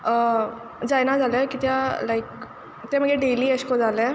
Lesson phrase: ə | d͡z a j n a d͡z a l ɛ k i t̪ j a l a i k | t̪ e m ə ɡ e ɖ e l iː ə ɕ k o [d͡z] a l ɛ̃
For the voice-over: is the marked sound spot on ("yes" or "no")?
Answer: yes